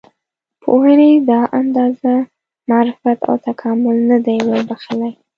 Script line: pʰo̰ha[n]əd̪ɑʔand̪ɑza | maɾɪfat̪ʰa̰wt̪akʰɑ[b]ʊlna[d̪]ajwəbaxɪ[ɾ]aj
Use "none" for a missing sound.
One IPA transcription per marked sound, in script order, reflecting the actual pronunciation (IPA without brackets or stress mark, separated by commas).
n, m, d̪, l